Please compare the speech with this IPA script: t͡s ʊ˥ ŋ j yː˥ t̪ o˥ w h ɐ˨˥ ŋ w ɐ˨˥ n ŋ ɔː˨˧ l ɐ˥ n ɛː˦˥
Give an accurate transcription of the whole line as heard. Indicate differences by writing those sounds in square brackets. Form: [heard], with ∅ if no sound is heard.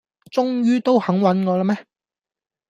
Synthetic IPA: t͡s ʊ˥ ŋ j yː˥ t̪ o˥ w h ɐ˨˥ ŋ w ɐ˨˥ n ŋ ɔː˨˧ l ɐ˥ [m] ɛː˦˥